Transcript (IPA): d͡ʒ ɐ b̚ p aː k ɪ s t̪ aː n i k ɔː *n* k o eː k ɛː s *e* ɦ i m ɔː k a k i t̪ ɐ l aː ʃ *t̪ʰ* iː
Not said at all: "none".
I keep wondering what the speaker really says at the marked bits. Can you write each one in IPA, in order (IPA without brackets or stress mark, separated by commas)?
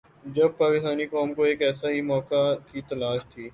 m, a, t̪ʰ